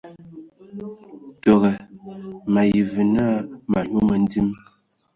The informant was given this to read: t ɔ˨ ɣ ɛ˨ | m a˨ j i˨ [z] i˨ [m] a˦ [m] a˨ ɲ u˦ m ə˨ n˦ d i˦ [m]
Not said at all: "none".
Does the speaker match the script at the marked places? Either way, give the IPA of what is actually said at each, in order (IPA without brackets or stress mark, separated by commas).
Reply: v, n, m, m